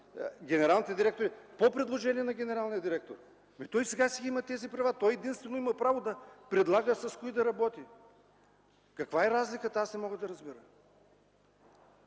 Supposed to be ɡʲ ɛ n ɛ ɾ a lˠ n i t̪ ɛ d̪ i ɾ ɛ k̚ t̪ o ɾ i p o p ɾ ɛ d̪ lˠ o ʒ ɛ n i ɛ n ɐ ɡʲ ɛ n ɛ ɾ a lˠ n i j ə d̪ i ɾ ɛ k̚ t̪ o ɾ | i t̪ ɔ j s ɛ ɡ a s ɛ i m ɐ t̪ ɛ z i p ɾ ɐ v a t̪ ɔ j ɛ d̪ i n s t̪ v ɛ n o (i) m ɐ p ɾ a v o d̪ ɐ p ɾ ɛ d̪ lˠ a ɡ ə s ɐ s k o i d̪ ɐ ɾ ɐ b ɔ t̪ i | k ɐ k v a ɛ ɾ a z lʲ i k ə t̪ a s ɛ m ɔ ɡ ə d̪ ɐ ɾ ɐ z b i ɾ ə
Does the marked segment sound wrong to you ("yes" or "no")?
no